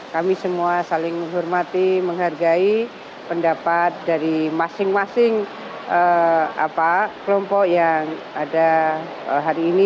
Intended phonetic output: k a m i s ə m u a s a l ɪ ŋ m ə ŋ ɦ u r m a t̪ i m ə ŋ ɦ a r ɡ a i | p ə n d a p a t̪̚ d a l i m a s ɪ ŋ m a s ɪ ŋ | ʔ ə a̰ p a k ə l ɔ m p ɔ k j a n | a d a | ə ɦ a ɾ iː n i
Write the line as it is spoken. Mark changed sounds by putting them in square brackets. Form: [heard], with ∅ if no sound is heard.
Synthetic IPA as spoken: k a m i s ə m u a s a l ɪ ŋ m ə ŋ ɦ [ɔ] r m a t̪ i m ə ŋ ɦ a r ɡ a i | p ə n d a p a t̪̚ d a [ɾ] i m a s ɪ ŋ m a s ɪ ŋ | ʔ ə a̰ p a k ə l ɔ m p ɔ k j a [ŋ] | a d a | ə ɦ a ɾ iː n i